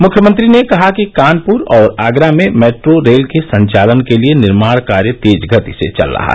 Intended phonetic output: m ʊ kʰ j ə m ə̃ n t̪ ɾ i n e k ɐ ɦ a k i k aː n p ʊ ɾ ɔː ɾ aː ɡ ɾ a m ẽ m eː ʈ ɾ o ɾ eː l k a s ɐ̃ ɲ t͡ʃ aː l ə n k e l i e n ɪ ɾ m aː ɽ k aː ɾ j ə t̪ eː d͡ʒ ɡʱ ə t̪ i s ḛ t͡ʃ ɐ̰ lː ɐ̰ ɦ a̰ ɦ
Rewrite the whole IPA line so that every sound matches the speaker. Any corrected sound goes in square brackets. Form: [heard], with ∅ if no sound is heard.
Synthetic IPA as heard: m ʊ kʰ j ə m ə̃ n t̪ ɾ i n e k ɐ ɦ a k i k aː n p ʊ ɾ ɔː ɾ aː ɡ ɾ a m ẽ m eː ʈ ɾ o ɾ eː l k [e] s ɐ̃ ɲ t͡ʃ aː l ə n k e l i e n ɪ ɾ m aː ɽ k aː ɾ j ə t̪ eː d͡ʒ ɡʱ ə t̪ i s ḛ t͡ʃ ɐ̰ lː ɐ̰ ɦ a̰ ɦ